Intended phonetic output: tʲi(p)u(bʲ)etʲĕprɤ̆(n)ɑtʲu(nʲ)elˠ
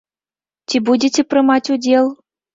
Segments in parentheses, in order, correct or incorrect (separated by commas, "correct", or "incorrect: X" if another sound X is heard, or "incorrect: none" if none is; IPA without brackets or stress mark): incorrect: b, incorrect: dʲ, incorrect: m, incorrect: dʲ